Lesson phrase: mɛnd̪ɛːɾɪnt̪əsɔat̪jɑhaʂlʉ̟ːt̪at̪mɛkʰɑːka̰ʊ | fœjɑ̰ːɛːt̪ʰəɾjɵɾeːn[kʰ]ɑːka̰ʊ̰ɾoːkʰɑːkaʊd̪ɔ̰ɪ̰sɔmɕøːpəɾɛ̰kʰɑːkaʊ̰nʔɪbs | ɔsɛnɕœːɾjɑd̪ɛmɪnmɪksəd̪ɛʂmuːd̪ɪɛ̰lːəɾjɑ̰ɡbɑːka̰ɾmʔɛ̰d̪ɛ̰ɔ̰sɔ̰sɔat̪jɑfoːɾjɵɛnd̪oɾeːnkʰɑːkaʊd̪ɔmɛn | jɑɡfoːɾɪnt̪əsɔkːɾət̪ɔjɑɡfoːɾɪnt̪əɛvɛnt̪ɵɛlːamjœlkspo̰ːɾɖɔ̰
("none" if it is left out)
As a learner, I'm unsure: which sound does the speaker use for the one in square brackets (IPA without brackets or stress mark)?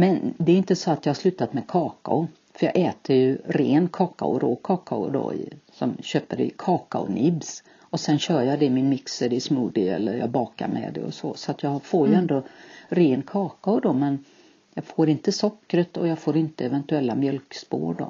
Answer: kʰ